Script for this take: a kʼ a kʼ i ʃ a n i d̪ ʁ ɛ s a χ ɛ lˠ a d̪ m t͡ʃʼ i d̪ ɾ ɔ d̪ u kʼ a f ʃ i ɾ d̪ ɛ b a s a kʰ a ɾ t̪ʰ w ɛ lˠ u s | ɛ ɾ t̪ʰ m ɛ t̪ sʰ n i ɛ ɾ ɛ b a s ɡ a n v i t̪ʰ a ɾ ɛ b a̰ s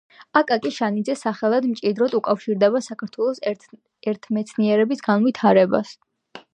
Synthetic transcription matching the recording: a kʼ a kʼ i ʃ a n i d̪ z ɛ s a χ ɛ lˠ a d̪ m t͡ʃʼ i d̪ ɾ ɔ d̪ u kʼ a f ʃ i ɾ d̪ ɛ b a s a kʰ a ɾ t̪ʰ w ɛ lˠ ɔ s | ɛ ɾ t̪ʰ m ɛ t̪ sʰ n i ɛ ɾ ɛ b i s ɡ a n v i t̪ʰ a ɾ ɛ b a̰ s